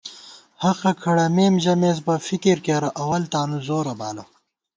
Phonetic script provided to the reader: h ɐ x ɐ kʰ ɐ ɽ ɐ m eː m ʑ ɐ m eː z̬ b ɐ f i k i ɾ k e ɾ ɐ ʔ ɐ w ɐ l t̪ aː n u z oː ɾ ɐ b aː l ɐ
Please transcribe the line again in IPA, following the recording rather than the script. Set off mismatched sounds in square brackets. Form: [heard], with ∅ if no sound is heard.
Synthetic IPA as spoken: h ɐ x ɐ kʰ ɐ ɽ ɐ m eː m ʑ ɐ m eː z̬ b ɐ f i k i ɾ k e ɾ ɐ ʔ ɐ w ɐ l t̪ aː n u z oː ɾ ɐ b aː l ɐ